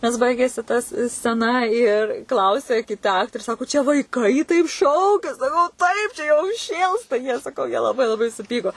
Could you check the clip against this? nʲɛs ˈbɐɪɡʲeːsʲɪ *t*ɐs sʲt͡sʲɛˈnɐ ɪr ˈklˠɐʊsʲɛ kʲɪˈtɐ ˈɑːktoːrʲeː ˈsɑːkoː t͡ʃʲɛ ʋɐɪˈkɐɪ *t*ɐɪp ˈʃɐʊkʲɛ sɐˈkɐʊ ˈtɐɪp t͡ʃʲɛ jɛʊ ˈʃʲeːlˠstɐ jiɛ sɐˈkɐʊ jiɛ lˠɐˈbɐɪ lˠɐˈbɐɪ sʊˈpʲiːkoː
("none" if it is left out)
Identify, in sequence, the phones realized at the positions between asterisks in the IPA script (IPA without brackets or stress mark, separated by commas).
t, t